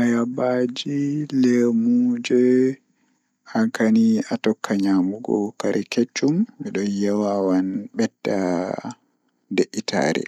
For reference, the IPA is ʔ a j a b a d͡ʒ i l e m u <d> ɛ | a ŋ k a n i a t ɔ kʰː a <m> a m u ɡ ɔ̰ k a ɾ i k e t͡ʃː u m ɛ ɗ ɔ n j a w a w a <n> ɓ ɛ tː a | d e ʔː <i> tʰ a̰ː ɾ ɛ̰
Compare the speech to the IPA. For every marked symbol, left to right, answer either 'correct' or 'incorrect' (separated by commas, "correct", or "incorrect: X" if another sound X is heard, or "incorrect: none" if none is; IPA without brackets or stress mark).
incorrect: d͡ʒ, incorrect: ɲ, correct, correct